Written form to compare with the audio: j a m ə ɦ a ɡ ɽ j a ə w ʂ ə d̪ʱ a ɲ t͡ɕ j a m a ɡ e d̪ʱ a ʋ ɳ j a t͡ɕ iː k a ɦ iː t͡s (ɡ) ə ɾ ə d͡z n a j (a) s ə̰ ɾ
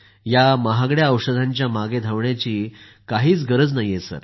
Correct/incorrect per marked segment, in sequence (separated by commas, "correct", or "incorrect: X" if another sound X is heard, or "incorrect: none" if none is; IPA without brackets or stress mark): correct, incorrect: e